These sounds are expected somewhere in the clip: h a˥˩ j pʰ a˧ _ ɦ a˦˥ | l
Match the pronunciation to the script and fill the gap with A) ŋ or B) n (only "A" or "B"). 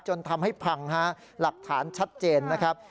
A